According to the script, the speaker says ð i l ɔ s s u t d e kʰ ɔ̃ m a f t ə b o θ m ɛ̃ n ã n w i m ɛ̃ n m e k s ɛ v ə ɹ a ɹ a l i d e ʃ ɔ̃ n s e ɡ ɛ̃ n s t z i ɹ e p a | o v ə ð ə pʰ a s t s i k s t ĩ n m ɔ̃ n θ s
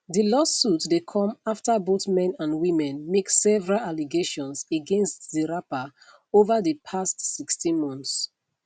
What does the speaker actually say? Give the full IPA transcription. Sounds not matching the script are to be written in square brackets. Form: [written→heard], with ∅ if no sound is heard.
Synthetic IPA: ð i l ɔ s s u t d e kʰ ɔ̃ m a f t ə b o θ m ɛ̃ n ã n w i m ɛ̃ n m e k s ɛ v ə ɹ a [ɹ→l] a l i [d→ɡ] e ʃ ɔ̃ n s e ɡ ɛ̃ n s t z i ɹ [e→a] p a | o v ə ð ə pʰ a s t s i k s t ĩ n m ɔ̃ n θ s

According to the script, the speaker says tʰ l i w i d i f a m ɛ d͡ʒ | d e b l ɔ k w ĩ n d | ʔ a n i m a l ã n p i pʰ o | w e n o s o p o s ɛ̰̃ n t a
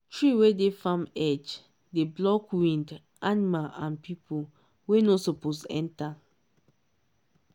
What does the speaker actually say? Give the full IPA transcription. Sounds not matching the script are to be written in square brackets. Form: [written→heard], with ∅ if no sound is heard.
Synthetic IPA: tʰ [l→ɹ] i w [i→e] d [i→e] f a m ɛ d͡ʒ | d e b l ɔ k w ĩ n d | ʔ a n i m a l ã n p i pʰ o | w e n o s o p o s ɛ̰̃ n t a

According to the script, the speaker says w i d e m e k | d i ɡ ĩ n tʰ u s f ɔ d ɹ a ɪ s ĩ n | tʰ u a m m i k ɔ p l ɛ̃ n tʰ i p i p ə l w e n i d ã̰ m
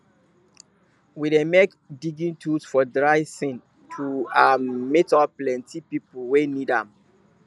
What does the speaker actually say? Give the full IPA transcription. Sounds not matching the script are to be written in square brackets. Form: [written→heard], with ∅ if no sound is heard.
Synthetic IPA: w i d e m e k | d i ɡ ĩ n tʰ u s f ɔ d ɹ a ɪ s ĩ n | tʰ u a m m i [k→t] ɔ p l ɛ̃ n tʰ i p i p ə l w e n i d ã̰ m

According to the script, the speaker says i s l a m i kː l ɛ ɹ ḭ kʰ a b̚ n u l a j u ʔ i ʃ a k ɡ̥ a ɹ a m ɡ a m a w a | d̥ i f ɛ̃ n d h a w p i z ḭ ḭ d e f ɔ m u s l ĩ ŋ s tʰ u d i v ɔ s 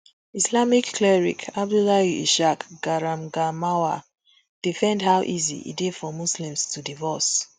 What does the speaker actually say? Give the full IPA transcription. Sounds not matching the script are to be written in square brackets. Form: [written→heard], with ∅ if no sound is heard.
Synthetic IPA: i s l a m i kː l ɛ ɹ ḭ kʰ a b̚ [n→d] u l a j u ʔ i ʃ a k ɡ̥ a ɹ a m ɡ a m a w a | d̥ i f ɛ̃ n d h a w [p→ʔ] i z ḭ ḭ d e f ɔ m u s l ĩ [ŋ→m] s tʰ u d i v ɔ s

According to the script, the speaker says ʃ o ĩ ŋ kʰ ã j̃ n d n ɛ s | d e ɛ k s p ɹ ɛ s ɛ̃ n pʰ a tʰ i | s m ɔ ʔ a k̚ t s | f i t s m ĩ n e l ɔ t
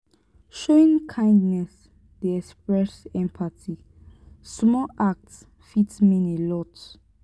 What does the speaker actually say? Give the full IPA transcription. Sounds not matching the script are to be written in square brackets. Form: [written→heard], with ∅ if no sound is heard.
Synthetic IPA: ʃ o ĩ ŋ kʰ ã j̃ n d n ɛ s | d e ɛ k s p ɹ ɛ s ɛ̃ [n→m] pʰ a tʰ i | s m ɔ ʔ a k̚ t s | f i t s m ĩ n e l ɔ t

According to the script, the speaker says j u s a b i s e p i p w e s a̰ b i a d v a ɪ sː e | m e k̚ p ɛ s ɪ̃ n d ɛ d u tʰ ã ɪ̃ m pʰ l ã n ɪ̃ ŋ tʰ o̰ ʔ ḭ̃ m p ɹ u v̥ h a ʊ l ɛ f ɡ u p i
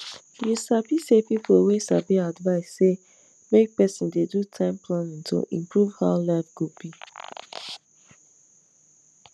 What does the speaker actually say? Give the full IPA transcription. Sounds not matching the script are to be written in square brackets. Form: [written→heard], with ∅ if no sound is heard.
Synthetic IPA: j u s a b i s e p i p w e s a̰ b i a d v a ɪ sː e | m e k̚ p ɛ s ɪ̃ n d [ɛ→e] d u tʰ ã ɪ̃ m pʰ l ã n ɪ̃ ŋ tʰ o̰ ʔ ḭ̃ m p ɹ u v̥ h a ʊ l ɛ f ɡ u p i

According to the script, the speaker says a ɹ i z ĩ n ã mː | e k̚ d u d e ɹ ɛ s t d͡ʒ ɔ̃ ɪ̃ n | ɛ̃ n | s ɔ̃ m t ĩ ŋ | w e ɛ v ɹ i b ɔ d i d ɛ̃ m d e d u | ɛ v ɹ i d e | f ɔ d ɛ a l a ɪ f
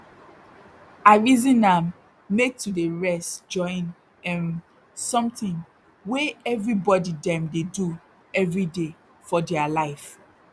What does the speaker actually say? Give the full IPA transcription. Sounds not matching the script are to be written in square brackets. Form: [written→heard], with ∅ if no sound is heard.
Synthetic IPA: a ɹ i z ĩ n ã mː | e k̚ [d→t] u d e ɹ ɛ s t d͡ʒ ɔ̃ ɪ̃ n | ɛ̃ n | s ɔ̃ m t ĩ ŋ | w e ɛ v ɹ i b ɔ d i d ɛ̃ m d e d u | ɛ v ɹ i d e | f ɔ d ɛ a l a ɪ f

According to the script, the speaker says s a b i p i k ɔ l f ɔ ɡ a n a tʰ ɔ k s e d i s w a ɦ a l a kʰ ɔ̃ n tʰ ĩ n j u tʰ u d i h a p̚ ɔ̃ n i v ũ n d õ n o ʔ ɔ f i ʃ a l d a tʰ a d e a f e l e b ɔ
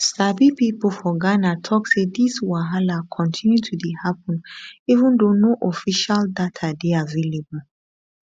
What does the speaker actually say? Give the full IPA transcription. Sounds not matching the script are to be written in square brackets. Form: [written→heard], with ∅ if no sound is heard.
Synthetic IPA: s a b i p i [k→p] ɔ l f ɔ ɡ a n a tʰ ɔ k s e d i s w a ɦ a l a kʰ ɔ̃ n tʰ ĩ n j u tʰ u d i h a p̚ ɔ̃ n i v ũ n d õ n o ʔ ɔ f i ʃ a l d a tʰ a d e a [f→v] e l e b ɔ

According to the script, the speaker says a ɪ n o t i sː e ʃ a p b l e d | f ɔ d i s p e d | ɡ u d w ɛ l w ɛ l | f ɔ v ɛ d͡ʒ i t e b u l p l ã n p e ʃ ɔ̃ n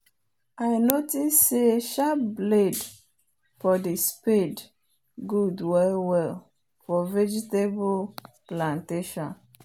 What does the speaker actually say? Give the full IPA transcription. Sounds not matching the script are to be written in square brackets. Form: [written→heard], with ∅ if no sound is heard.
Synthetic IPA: a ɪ n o t i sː e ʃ a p b l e d | f ɔ d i s p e d | ɡ u d w ɛ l w ɛ l | f ɔ v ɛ d͡ʒ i t e b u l p l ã n [p→t] e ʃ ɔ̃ n

